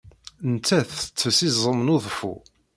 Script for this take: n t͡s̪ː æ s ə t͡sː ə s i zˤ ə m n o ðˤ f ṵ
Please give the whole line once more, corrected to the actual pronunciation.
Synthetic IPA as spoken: n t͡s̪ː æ θ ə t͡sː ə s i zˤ ə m n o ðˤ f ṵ